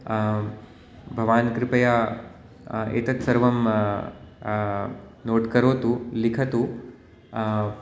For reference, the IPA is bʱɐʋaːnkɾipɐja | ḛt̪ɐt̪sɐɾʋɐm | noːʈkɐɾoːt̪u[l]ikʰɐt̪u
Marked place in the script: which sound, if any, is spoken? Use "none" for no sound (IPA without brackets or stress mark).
l